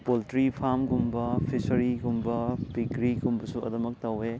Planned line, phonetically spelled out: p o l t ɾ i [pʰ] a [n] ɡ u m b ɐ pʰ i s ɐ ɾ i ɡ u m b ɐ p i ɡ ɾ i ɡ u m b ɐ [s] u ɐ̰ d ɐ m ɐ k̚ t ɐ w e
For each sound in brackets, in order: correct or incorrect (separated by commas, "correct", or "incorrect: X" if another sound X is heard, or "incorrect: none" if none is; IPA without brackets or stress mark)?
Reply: correct, incorrect: m, correct